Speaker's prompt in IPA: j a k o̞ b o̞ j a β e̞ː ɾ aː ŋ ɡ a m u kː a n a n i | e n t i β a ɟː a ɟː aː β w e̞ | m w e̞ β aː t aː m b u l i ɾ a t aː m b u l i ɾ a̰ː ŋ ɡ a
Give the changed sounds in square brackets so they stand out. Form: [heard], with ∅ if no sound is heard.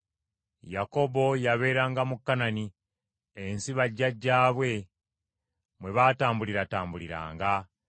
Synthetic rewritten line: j a k o̞ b o̞ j a β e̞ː ɾ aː ŋ ɡ a m u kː a n a n i | e n [s] i β a ɟː a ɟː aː β w e̞ | m w e̞ β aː t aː m b u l i ɾ a t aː m b u l i ɾ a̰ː ŋ ɡ a